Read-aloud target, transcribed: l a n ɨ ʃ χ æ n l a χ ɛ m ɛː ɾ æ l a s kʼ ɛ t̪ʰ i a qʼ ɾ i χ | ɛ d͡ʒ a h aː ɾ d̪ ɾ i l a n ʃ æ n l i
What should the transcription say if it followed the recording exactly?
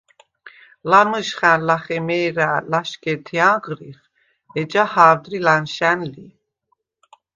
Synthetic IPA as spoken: l a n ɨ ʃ χ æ n l a χ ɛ m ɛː ɾ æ l a ʃ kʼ ɛ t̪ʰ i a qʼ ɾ i χ | ɛ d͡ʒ a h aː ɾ d̪ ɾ i l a n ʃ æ n l i